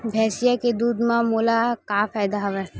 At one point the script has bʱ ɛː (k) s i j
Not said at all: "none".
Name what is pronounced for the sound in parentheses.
none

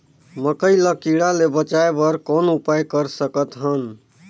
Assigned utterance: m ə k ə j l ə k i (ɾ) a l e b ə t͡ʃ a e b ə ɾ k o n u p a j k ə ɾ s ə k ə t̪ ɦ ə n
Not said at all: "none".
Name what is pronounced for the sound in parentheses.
ɽ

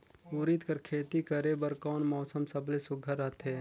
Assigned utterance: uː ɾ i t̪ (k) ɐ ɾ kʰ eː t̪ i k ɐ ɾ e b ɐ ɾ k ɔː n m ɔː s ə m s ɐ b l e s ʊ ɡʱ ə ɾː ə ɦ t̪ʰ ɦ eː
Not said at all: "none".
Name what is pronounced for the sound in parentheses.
k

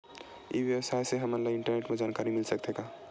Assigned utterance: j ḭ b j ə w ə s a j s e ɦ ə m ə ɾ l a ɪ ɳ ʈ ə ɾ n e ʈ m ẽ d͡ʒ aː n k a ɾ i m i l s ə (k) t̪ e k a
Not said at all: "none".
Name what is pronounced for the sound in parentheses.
k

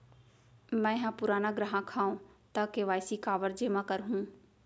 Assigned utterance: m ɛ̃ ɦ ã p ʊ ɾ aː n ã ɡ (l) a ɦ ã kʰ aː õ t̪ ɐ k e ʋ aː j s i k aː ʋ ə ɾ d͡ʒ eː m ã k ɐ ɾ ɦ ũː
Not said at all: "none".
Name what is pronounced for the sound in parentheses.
ɾ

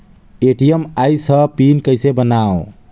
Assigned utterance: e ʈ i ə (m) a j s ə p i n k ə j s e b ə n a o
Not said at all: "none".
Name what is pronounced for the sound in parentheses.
m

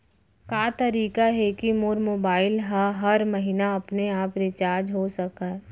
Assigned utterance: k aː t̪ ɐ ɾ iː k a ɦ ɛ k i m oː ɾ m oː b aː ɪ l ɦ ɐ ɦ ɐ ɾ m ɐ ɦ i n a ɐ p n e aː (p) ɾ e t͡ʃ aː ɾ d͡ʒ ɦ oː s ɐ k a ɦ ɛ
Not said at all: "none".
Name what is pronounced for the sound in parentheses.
p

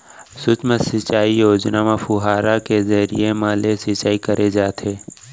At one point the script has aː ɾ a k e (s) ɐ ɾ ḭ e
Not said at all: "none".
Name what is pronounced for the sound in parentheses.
z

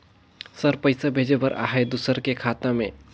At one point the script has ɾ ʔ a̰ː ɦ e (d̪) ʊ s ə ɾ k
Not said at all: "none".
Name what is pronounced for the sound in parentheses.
d̪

